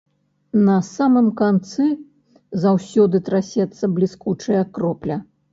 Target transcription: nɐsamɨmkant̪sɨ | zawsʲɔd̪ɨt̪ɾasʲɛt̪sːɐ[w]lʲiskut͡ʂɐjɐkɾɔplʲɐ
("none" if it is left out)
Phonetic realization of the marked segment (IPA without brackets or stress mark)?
b